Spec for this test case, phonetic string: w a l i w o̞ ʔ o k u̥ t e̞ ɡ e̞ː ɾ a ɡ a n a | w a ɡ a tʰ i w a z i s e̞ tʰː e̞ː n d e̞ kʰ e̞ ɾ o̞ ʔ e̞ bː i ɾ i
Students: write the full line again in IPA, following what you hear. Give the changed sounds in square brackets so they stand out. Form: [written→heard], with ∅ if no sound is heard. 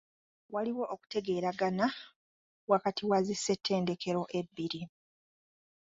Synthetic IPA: w a l i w o̞ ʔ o k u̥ t e̞ ɡ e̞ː ɾ a ɡ a n a | w a [ɡ→k] a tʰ i w a z i s e̞ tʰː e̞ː n d e̞ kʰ e̞ ɾ o̞ ʔ e̞ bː i ɾ i